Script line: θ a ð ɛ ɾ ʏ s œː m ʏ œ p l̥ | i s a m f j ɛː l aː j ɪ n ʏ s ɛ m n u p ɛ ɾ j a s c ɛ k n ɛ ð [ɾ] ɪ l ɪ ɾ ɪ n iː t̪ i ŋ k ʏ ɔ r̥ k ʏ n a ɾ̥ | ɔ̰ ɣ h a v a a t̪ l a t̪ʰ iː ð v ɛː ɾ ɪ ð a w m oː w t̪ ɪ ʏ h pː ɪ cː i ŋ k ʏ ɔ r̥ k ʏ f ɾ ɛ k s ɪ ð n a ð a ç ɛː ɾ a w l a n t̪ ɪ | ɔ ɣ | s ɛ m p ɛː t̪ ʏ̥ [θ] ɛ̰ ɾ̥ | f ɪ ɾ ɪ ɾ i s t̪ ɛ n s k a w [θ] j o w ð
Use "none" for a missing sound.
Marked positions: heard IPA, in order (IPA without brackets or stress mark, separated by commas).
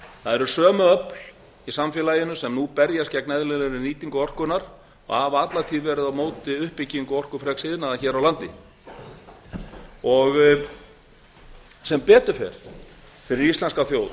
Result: l, f, θ